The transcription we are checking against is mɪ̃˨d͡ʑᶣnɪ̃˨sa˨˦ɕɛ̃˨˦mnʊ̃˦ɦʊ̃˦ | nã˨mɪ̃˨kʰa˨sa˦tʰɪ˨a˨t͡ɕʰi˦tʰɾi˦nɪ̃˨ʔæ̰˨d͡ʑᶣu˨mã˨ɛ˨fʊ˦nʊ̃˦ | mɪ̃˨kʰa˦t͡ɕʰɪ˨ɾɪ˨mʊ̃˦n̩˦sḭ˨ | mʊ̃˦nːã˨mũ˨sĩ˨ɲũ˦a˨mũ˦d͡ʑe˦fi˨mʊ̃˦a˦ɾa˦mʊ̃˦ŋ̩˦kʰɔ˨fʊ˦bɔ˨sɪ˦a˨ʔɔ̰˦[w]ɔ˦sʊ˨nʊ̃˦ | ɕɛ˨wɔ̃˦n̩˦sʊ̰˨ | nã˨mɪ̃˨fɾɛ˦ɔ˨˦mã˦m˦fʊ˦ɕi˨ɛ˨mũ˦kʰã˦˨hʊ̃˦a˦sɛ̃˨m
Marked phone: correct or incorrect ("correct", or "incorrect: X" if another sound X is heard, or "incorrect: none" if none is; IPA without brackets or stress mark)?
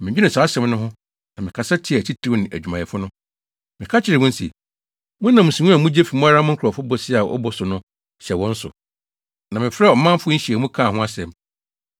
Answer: incorrect: b